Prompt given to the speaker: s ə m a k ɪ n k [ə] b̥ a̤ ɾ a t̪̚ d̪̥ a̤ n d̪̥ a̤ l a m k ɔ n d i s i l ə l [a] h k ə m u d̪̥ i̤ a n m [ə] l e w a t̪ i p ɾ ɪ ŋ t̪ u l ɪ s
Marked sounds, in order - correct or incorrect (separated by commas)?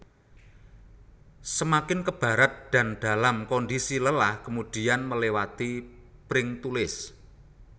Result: correct, correct, correct